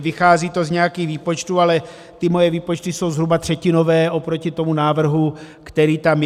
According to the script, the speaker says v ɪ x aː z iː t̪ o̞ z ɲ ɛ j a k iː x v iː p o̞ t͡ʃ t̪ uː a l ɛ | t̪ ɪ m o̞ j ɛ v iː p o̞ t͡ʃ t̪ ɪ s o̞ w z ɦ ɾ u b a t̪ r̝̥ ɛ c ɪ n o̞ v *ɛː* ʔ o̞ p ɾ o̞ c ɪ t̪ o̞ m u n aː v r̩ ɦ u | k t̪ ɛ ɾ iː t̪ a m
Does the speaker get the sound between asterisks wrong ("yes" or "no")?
no